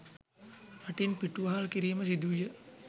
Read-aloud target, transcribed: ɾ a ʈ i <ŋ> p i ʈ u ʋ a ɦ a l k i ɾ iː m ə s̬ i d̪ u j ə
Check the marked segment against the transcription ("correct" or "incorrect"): incorrect